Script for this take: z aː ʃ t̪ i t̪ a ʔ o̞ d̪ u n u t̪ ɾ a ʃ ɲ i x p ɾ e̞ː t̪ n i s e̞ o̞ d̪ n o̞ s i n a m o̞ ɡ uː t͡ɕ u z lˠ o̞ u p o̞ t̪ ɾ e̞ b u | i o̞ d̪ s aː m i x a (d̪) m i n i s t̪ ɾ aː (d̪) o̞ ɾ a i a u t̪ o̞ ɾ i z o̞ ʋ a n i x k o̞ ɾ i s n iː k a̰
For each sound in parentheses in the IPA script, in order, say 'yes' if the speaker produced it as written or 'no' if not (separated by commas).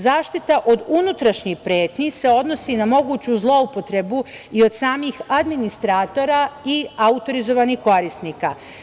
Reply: yes, no